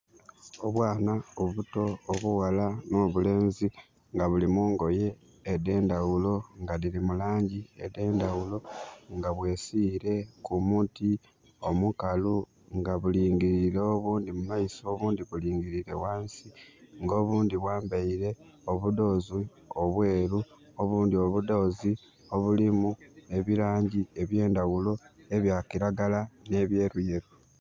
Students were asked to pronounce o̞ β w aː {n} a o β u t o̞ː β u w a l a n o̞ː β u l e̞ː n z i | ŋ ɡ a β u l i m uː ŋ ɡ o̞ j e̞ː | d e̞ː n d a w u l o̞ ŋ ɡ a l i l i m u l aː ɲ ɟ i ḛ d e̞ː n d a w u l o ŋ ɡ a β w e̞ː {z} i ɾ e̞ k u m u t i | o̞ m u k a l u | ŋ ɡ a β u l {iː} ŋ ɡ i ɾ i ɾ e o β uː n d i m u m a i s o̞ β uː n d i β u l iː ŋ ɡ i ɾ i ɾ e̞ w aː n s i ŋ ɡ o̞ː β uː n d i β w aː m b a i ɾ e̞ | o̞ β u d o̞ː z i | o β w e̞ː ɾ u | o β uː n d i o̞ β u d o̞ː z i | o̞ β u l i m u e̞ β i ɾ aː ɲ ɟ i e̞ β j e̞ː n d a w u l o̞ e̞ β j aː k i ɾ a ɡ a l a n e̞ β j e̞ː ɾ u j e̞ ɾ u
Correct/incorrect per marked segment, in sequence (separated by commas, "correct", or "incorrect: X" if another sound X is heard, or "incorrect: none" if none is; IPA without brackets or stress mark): correct, incorrect: s, correct